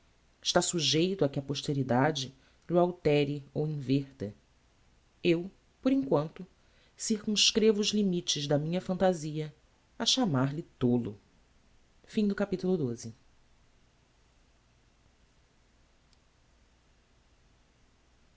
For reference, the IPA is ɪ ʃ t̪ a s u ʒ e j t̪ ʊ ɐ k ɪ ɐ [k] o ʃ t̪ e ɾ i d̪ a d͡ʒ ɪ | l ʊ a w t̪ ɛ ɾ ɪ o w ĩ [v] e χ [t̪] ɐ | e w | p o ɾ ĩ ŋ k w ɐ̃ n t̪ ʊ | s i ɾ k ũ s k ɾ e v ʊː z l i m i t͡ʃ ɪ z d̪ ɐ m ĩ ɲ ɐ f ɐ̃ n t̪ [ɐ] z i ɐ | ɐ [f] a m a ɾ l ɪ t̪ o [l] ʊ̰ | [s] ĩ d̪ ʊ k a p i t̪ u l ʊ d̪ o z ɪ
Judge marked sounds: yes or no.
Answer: no, yes, yes, no, no, yes, no

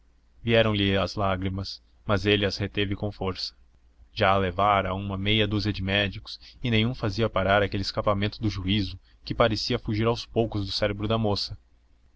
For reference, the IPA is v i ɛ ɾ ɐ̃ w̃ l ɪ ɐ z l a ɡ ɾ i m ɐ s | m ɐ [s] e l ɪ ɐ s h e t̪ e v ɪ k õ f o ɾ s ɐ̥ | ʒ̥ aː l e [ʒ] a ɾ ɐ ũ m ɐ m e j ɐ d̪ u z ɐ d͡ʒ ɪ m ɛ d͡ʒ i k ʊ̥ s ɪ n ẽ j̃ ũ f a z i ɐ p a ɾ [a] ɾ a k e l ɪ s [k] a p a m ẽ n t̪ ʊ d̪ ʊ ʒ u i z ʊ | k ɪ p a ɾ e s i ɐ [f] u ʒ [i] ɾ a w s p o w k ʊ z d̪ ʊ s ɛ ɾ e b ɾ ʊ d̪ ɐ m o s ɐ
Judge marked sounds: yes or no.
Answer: no, no, yes, yes, yes, yes

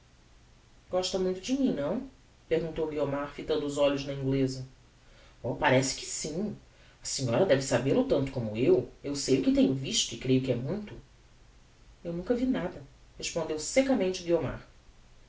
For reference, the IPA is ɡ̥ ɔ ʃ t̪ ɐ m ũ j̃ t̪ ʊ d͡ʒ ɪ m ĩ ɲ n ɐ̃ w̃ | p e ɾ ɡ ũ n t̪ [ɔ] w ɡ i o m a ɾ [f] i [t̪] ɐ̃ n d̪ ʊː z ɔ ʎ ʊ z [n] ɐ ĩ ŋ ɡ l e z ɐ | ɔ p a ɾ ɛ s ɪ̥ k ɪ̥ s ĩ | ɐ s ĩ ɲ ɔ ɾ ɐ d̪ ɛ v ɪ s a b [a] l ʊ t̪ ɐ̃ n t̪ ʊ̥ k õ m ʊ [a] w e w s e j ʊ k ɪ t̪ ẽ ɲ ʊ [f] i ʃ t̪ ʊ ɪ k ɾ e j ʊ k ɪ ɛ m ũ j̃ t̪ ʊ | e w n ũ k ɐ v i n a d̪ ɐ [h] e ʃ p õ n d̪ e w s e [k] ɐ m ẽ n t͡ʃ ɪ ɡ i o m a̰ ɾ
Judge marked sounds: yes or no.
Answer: no, yes, yes, yes, no, no, no, yes, yes

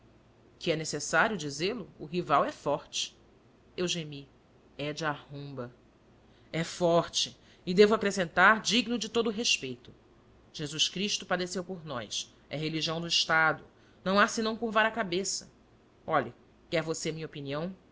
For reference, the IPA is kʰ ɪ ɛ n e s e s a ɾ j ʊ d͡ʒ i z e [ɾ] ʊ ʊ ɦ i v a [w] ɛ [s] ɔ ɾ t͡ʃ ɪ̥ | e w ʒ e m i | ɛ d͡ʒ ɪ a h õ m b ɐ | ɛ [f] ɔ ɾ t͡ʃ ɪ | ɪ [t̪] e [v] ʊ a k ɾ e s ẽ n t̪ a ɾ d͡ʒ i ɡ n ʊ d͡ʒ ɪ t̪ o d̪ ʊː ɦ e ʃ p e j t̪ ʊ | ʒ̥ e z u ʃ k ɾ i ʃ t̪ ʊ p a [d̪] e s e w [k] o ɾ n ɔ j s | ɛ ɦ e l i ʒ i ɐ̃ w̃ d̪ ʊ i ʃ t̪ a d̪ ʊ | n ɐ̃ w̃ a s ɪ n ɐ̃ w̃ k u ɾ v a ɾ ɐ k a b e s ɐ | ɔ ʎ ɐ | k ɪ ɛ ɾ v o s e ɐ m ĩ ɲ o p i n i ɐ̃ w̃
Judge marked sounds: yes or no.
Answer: no, yes, no, yes, no, yes, yes, no

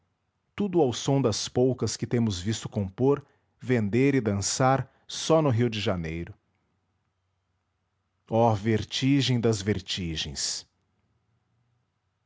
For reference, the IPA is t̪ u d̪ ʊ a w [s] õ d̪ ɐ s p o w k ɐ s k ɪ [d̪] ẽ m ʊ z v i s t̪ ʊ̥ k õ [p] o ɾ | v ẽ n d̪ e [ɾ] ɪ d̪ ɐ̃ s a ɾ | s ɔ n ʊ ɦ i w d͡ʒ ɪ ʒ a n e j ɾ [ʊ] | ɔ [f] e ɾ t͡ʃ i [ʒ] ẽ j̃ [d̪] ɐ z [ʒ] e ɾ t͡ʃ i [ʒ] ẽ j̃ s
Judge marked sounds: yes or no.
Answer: yes, no, yes, yes, yes, no, yes, yes, no, yes

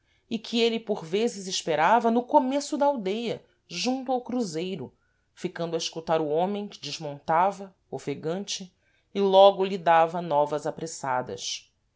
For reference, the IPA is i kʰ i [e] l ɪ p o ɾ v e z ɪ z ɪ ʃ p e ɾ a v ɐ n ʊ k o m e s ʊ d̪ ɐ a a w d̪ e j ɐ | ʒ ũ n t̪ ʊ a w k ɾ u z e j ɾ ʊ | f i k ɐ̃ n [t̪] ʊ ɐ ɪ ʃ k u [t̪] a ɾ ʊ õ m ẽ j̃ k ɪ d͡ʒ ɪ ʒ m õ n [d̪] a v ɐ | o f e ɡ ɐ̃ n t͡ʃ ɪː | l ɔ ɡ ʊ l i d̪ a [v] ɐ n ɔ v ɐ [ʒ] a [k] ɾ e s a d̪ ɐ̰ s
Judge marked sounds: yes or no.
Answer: yes, no, yes, no, yes, no, no

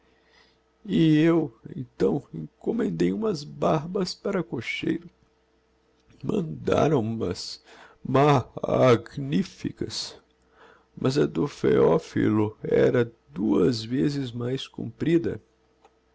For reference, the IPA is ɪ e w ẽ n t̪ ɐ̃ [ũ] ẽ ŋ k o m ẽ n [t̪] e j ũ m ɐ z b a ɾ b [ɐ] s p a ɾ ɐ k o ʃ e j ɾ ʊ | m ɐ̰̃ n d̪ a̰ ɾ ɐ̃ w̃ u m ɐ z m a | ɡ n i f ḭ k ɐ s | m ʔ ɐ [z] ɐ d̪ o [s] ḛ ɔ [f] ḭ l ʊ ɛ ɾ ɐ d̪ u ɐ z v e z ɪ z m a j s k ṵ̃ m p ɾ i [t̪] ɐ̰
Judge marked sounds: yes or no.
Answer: no, no, yes, yes, no, yes, no

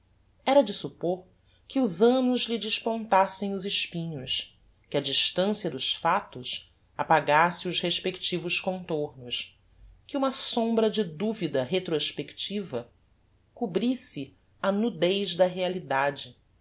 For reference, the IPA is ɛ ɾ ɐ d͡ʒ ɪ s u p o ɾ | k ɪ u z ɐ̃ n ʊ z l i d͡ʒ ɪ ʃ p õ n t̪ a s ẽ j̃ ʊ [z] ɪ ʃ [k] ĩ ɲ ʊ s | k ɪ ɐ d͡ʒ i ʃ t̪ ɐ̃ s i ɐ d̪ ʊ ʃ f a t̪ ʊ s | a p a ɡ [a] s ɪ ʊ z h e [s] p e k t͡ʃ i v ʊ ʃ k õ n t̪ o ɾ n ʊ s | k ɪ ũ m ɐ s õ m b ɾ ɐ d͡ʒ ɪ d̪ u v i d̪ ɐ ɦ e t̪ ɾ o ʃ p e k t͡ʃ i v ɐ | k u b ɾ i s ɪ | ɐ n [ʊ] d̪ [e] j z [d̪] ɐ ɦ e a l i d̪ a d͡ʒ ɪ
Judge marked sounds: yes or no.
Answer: yes, no, yes, no, no, yes, yes

